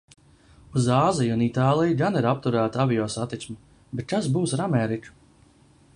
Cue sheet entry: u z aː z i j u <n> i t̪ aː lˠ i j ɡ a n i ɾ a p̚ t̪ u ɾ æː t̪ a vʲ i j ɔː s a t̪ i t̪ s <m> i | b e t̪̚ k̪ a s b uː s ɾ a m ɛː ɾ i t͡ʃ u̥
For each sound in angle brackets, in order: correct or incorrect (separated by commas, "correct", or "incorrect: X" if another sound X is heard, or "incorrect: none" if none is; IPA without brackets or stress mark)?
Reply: correct, correct